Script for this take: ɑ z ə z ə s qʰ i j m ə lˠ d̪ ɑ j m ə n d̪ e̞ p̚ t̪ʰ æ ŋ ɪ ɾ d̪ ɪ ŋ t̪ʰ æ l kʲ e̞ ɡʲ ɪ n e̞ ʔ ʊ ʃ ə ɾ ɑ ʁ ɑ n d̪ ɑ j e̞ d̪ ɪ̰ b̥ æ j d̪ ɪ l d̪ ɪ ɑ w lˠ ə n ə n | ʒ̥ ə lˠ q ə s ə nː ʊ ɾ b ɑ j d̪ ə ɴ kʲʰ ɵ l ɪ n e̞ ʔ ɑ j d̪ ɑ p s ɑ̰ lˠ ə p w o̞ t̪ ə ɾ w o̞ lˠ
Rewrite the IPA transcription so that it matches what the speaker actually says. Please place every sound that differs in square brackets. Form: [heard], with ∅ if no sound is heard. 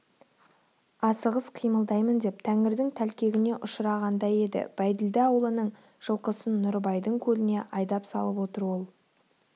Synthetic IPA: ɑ [s] ə [ʁ] ə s qʰ i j m ə lˠ d̪ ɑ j m ə n d̪ e̞ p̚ t̪ʰ æ ŋ ɪ ɾ d̪ ɪ ŋ t̪ʰ æ l kʲ e̞ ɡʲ ɪ n e̞ ʔ ʊ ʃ ə ɾ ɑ ʁ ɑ n d̪ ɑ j e̞ d̪ ɪ̰ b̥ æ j d̪ ɪ l d̪ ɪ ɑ w lˠ ə n ə [ɴ] | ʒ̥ ə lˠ q ə s ə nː ʊ ɾ b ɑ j d̪ ə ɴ kʲʰ ɵ l ɪ n e̞ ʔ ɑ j d̪ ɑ p s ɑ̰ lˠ ə p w o̞ t̪ ə ɾ w o̞ lˠ